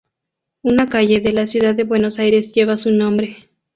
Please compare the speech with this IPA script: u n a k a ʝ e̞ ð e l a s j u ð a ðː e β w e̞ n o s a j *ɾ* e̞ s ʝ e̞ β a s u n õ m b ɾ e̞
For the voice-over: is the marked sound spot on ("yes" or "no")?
yes